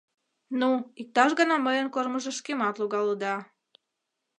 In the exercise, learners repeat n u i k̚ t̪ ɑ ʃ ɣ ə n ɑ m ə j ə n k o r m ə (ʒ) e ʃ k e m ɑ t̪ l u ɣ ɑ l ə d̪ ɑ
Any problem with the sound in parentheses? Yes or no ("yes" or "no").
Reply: no